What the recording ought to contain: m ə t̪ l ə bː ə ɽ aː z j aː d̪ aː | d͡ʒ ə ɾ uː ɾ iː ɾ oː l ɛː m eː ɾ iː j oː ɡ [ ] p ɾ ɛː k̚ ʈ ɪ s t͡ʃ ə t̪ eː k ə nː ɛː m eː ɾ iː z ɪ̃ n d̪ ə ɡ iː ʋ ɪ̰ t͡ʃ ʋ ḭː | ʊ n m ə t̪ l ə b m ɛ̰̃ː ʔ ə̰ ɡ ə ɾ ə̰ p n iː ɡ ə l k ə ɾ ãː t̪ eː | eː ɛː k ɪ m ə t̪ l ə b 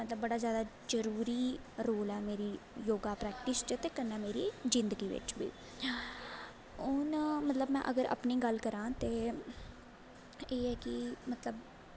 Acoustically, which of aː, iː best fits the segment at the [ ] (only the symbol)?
aː